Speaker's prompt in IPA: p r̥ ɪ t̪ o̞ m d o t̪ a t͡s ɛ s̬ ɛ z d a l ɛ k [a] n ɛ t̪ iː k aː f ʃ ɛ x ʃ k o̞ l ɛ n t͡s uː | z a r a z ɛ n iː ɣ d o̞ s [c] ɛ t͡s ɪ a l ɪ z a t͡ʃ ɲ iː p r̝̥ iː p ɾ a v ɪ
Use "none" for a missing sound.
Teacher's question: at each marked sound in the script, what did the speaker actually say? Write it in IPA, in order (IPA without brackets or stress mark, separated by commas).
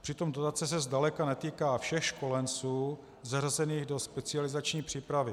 a, p